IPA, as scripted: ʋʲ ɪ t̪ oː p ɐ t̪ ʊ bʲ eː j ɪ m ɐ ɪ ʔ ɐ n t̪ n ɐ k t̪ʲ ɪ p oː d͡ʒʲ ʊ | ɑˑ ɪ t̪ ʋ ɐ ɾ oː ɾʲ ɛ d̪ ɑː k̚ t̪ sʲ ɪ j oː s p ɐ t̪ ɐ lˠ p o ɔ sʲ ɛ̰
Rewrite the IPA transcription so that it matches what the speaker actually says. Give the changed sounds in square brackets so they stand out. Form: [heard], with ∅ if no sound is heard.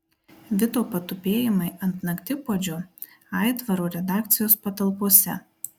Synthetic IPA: ʋʲ ɪ t̪ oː p ɐ t̪ ʊ [pʲ] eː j ɪ m ɐ ɪ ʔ ɐ n t̪ n ɐ k t̪ʲ ɪ p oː d͡ʒʲ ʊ | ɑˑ ɪ t̪ ʋ ɐ ɾ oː ɾʲ ɛ d̪ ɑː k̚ t̪ sʲ ɪ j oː s p ɐ t̪ ɐ lˠ p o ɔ sʲ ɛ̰